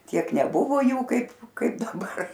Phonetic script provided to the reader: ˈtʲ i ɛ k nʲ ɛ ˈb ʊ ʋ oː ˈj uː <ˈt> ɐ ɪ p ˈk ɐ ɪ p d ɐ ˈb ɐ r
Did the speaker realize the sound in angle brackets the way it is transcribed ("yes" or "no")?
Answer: no